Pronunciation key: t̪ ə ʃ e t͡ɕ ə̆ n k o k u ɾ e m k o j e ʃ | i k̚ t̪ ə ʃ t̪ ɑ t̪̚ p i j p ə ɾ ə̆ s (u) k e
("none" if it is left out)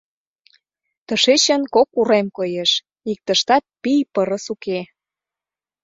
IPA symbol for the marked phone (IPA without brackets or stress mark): u